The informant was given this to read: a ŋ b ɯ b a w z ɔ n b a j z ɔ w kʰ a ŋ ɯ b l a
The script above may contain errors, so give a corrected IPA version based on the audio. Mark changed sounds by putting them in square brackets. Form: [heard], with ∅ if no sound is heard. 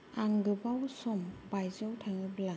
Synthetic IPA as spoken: a ŋ [ɡ] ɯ b a w [s] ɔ [m] b a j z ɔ w [tʰ] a ŋ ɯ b l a